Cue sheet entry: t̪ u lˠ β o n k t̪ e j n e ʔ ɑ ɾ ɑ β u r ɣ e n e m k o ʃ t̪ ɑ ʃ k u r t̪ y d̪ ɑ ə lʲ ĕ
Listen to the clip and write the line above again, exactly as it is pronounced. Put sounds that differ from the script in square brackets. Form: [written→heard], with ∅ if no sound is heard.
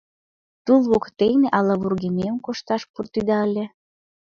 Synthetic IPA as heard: t̪ u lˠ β o [n→∅] k t̪ e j n e ʔ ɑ [ɾ→l] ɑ β u r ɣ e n e m k o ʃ t̪ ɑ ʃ [k→p] u r t̪ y d̪ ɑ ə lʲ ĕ